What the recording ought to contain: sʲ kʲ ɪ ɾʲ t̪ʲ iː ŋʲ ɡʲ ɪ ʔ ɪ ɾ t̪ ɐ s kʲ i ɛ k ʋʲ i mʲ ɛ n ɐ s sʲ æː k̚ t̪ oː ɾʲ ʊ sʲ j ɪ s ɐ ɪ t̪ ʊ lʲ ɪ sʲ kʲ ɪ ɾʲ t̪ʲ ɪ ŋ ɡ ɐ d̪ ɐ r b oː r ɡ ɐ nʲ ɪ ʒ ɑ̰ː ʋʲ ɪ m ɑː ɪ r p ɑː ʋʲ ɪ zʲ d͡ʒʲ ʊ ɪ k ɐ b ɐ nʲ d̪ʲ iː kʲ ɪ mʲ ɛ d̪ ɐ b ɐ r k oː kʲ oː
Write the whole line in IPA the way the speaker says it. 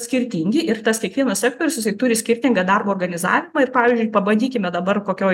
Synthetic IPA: sʲ kʲ ɪ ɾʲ t̪ʲ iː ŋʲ ɡʲ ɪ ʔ ɪ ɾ t̪ ɐ s kʲ i ɛ k ʋʲ i ɛ n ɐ s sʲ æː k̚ t̪ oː ɾʲ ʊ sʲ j ɪ s ɐ ɪ t̪ ʊ ɾʲ ɪ sʲ kʲ ɪ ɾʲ t̪ʲ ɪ ŋ ɡ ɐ d̪ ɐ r b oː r ɡ ɐ nʲ ɪ z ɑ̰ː ʋʲ ɪ m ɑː ɪ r p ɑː ʋʲ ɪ zʲ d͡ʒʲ ʊ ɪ p ɐ b ɐ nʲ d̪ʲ iː kʲ ɪ mʲ ɛ d̪ ɐ b ɐ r k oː kʲ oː